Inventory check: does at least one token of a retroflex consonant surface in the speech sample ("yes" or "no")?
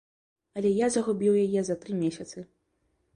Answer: no